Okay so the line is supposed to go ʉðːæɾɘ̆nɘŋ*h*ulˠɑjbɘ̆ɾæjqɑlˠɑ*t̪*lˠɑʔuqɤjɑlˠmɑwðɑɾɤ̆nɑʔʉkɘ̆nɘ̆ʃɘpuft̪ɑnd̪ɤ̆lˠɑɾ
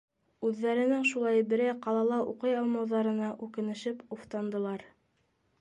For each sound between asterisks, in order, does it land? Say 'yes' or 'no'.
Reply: no, no

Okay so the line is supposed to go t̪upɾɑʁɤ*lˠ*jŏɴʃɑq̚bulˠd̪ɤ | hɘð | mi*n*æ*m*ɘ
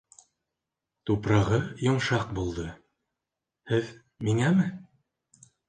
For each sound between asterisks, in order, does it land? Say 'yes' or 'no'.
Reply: no, no, yes

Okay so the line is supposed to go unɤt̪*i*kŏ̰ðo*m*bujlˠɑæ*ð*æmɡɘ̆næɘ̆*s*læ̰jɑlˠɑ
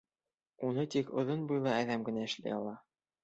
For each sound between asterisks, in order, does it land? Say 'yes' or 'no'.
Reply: yes, no, yes, no

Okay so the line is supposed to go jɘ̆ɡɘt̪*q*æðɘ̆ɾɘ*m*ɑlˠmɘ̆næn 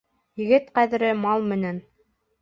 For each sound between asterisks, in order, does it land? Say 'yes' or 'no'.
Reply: yes, yes

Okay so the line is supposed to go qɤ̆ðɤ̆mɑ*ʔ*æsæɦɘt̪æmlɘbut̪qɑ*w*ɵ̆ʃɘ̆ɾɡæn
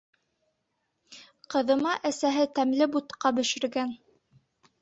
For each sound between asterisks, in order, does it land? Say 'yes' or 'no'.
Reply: yes, no

